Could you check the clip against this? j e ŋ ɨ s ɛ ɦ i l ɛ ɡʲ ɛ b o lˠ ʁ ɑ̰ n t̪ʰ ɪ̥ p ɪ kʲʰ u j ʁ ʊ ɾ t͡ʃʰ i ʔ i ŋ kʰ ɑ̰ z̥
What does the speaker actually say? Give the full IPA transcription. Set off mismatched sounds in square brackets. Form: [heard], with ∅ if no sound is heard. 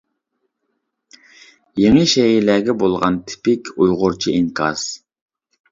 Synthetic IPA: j e ŋ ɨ [ʃ] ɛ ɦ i l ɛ ɡʲ ɛ b o lˠ ʁ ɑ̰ n t̪ʰ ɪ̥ p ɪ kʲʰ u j ʁ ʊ ɾ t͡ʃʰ i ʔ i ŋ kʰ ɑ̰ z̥